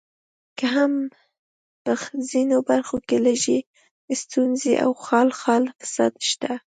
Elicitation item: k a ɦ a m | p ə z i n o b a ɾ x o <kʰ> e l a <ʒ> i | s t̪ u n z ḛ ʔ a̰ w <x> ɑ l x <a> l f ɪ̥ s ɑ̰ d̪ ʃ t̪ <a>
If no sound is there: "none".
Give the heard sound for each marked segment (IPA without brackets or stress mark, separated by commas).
k, ʒ, x, ɑ, a